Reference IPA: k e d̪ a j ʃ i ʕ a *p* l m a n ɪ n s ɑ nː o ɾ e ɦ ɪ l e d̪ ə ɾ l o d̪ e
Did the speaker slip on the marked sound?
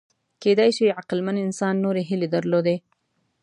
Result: yes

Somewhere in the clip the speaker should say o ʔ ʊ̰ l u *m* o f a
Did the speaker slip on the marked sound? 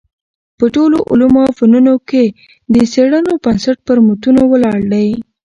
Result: no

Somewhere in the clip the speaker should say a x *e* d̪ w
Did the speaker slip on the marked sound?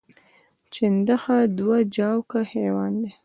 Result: yes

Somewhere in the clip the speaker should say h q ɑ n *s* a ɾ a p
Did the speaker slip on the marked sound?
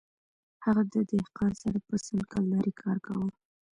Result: no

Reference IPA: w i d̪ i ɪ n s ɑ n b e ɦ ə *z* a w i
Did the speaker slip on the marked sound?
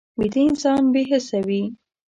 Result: yes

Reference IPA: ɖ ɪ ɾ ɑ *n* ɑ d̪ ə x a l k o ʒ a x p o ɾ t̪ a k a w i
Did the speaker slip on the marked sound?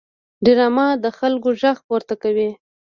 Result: yes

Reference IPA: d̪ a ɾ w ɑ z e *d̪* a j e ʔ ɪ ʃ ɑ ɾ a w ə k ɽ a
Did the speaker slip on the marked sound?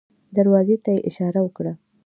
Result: yes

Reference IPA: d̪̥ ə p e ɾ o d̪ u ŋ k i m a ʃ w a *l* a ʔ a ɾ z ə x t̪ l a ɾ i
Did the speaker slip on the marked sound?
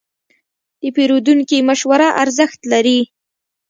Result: yes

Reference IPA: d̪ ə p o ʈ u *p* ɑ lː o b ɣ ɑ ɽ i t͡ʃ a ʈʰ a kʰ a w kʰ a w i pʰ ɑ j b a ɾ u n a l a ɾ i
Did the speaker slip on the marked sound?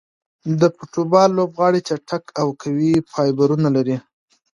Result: yes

